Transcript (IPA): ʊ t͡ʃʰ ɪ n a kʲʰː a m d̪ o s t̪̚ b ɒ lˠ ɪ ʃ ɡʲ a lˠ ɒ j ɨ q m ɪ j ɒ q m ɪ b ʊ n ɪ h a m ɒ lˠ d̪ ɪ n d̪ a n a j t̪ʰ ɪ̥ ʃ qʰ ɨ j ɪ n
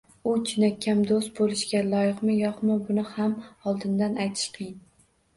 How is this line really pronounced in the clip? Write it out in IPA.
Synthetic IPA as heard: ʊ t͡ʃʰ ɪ n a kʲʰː a m d̪ o s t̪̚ b o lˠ ɪ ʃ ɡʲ a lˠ ɒ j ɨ q m ɪ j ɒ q m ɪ b ʊ n ɪ h a m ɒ lˠ d̪ ɪ n d̪ a n a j t̪ʰ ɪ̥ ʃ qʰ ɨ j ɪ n